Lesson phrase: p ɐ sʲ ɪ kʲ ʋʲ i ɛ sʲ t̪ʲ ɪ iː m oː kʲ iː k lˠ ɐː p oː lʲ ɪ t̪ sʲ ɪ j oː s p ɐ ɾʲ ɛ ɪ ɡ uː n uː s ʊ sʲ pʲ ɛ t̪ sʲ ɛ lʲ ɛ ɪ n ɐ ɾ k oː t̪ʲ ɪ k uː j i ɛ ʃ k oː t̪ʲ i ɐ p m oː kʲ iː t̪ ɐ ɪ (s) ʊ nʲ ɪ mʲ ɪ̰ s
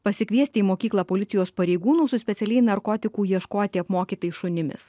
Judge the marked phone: incorrect: ʃ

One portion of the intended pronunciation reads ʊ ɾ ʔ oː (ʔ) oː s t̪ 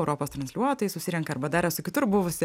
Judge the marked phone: incorrect: p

